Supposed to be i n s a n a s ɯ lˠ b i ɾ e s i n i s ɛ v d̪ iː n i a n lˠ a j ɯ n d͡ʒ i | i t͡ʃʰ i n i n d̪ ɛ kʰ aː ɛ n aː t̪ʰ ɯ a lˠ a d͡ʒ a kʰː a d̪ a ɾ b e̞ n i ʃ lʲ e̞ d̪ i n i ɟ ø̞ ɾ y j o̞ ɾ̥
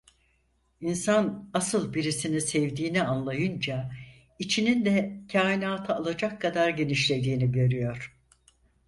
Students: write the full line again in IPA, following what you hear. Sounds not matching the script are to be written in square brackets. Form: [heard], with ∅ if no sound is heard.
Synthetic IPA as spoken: i n s a n a s ɯ lˠ b i ɾ [i] s i n i s ɛ v d̪ iː n i a n lˠ a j ɯ n d͡ʒ [a] | i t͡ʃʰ i n i n d̪ ɛ [cʰ] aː [i] n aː t̪ʰ ɯ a lˠ a d͡ʒ a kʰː a d̪ a ɾ [ɟ] e̞ n i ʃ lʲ e̞ d̪ [iː] n i ɟ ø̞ ɾ y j o̞ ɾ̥